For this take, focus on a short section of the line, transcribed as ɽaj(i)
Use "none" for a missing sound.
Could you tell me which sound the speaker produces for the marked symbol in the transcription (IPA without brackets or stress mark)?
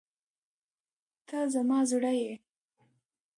e